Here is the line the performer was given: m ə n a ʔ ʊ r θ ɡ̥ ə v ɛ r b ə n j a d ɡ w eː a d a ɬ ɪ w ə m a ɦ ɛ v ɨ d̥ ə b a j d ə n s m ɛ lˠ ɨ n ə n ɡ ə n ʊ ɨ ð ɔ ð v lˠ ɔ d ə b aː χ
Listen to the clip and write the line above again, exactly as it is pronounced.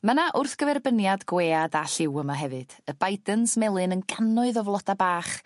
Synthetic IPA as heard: m ə n a ʔ ʊ r θ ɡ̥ ə v ɛ r b ə n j a d ɡ w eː a d a ɬ ɪ w ə m a ɦ ɛ v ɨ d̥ ə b a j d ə n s m ɛ lˠ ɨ n ə n ɡ a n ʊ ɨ ð ɔ v lˠ ɔ d a b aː χ